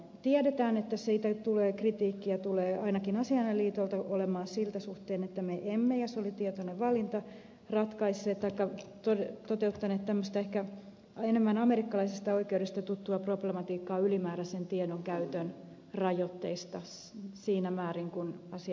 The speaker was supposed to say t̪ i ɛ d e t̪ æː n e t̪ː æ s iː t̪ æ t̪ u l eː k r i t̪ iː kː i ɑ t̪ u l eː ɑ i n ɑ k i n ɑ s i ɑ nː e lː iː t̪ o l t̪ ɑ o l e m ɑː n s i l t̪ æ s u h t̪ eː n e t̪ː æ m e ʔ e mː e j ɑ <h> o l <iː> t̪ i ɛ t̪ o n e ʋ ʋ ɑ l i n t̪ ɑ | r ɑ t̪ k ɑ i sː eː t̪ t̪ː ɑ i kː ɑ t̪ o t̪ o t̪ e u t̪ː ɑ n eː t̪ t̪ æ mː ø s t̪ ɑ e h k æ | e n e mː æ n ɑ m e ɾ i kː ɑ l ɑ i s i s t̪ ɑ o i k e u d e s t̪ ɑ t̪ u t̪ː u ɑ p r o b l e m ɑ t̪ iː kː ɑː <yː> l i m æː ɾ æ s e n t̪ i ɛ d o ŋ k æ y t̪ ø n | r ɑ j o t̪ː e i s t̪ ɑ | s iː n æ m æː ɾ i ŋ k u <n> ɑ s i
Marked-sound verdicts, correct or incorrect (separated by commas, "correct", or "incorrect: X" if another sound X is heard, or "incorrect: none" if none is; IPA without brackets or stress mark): incorrect: s, incorrect: i, incorrect: y, correct